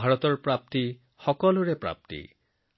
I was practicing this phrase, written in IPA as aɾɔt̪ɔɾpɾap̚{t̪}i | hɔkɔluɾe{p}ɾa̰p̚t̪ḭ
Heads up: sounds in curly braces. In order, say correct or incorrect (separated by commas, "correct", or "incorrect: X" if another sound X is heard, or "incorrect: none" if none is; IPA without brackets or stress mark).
correct, correct